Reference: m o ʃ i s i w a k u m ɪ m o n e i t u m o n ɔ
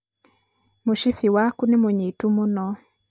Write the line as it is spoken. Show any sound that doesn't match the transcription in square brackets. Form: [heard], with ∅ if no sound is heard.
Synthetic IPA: m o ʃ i [f] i w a k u [n] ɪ m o [ɲ] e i t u m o n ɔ

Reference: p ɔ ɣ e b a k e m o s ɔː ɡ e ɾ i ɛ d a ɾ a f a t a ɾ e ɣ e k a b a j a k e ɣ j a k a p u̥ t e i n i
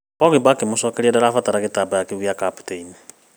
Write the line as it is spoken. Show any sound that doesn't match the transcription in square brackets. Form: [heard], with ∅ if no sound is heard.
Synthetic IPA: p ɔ ɣ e b a k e m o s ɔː [k] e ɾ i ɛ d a ɾ a f a t a ɾ [a] ɣ e [t] a b a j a k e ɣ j a k a p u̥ t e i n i

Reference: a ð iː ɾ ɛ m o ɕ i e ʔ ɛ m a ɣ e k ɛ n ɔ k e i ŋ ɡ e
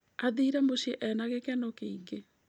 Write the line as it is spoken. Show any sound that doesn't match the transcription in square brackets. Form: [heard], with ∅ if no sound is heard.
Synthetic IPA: a ð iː ɾ ɛ m o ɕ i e ʔ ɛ [n] a ɣ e k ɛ n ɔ k e i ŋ ɡ e

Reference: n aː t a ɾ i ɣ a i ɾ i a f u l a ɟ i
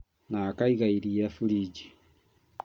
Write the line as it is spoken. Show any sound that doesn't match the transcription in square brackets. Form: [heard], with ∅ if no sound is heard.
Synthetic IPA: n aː [k] a [∅] i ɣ a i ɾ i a f u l [i] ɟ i

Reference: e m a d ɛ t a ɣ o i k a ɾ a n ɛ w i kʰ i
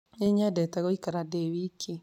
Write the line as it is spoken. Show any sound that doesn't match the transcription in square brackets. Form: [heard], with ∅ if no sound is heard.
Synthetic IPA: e [ɲ] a d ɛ t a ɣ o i k a ɾ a [d] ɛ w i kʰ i

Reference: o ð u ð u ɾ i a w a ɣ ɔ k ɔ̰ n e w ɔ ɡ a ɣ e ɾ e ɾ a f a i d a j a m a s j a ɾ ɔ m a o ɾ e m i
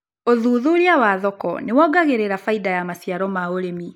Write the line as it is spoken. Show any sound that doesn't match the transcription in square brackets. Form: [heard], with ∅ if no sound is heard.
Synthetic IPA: o ð u ð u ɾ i a w a [ð] ɔ k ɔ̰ n e w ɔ ɡ a ɣ e ɾ e ɾ a f a i d a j a m a s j a ɾ ɔ m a o ɾ e m i

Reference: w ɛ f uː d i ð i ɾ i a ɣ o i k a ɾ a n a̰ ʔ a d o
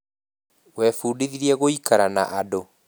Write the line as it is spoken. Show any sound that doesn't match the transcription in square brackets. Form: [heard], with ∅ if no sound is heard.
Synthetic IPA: w ɛ f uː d i ð i ɾ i [ɛ] ɣ o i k a ɾ a n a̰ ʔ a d o

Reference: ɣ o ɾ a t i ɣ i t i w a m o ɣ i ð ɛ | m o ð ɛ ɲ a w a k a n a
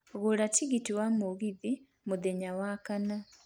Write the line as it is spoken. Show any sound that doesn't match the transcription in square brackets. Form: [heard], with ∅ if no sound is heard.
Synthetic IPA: ɣ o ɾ a t i ɣ i t i w a m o ɣ i ð [i] | m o ð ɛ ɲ a w a k a n a

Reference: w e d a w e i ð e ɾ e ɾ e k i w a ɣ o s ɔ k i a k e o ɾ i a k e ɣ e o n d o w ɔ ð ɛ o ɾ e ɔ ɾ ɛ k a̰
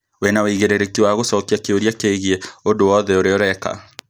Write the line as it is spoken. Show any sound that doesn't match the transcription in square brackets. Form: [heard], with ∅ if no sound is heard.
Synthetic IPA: w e [n] a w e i [ɣ] e ɾ e ɾ e k i w a ɣ o s ɔ k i a k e o ɾ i a k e ɣ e o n d o w ɔ ð ɛ o ɾ e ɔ ɾ ɛ k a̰

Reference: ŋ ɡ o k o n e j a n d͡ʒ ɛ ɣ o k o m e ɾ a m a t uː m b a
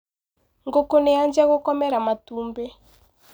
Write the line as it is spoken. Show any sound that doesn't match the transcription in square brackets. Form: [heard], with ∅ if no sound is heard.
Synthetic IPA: ŋ ɡ o k o n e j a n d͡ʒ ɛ ɣ o k [ɔ] m [ɛ] ɾ a m a t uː m b [e]

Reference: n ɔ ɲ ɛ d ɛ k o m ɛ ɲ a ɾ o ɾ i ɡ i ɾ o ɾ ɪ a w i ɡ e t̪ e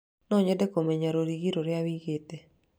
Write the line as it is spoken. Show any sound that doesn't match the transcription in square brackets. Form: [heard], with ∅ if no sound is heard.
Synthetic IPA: n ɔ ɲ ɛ d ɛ k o m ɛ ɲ a ɾ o ɾ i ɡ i ɾ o ɾ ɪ a w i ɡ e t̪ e

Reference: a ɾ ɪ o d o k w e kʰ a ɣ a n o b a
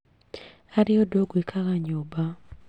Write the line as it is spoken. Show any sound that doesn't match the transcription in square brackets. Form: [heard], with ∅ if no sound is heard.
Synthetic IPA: a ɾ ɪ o d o [ɡ] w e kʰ a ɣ a [ɲ] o b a

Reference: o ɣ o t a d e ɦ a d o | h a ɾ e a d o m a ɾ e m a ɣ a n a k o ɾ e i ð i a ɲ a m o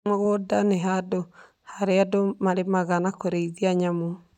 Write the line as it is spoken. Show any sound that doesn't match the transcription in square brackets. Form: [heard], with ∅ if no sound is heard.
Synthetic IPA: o ɣ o [d] a [n] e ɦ a d o | h a ɾ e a d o m a ɾ e m a ɣ a n a k o ɾ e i ð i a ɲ a m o

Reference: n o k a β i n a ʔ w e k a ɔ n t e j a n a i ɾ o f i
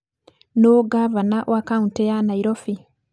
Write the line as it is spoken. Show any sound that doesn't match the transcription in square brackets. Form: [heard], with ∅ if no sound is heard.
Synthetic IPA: n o [ɡ] a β [a] n a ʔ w [a] k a [u] n t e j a n a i ɾ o f i

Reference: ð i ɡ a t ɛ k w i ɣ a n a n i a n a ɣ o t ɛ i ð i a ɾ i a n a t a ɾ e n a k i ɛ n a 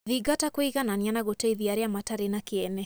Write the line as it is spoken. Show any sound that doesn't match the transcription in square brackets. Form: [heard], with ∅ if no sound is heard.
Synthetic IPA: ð i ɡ a t [a] k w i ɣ a n a n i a n a ɣ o t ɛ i ð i a ɾ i a [m] a t a ɾ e n a k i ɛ n [ɛ]

